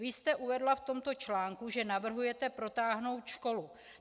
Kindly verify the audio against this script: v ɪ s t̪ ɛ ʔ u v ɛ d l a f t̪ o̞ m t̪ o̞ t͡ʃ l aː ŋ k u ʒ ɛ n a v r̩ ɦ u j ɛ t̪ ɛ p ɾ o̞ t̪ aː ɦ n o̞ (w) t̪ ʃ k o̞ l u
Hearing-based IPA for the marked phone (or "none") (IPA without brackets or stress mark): w